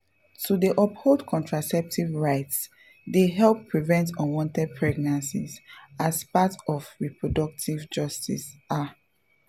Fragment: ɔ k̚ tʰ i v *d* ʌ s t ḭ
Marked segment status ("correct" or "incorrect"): incorrect